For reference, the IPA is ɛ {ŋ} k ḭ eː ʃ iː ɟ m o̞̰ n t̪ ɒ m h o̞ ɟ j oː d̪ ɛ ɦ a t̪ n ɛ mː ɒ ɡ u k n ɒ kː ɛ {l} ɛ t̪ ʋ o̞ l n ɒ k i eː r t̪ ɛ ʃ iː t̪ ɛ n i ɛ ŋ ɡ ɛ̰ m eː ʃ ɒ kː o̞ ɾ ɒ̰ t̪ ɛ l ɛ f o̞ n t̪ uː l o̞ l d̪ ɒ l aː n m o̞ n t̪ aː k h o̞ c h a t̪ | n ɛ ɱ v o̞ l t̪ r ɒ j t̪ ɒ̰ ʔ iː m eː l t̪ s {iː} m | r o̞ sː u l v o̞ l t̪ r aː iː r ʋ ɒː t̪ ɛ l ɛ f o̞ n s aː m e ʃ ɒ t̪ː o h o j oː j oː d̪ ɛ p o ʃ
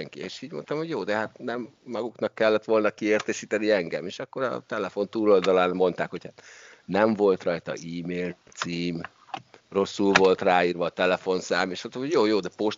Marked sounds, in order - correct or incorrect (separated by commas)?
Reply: correct, incorrect, correct